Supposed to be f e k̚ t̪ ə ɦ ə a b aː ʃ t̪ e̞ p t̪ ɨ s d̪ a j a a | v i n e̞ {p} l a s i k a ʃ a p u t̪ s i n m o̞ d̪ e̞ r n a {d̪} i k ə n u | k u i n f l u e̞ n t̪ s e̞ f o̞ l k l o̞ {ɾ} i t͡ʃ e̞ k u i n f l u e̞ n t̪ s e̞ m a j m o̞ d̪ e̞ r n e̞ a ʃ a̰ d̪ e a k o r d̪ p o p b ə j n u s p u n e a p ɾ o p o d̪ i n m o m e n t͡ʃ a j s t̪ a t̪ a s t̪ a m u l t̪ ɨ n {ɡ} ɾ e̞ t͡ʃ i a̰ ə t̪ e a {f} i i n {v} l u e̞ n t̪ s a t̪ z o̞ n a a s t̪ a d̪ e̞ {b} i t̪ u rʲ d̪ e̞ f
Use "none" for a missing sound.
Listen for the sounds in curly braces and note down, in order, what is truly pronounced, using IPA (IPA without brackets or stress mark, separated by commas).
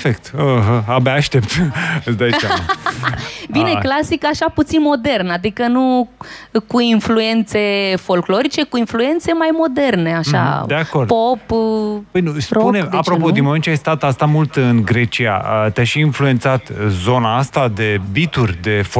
k, d̪, ɾ, ɡ, ʃ, f, b